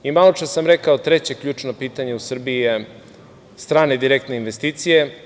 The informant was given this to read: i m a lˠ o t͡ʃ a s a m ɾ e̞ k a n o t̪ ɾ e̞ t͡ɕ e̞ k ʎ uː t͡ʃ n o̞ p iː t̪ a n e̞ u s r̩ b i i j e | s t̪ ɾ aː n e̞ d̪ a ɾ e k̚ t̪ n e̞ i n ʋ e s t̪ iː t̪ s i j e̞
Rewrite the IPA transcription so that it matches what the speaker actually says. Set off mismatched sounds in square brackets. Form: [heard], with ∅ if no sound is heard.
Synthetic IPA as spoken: i m a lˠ o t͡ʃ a s a m ɾ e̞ k a [∅] o t̪ ɾ e̞ t͡ɕ e̞ k ʎ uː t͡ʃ n o̞ p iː t̪ a [ɲ] e̞ u s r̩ b i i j e | s t̪ ɾ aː n e̞ d̪ [i] ɾ e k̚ t̪ n e̞ i n ʋ e s t̪ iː t̪ s i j e̞